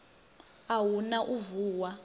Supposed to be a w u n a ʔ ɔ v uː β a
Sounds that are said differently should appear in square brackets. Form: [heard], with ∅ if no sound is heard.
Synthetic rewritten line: a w u n a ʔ [u] v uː [w] a